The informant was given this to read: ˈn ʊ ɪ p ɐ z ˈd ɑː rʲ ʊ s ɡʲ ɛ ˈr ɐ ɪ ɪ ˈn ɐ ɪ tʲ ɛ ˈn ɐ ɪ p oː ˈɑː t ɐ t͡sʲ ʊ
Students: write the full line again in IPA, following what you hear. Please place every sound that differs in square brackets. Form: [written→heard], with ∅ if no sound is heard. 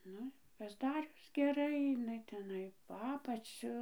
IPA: ˈn ʊ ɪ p ɐ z ˈd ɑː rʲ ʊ s ɡʲ ɛ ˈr ɐ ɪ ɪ ˈn ɐ ɪ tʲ ɛ ˈn ɐ ɪ p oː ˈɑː [t→p] ɐ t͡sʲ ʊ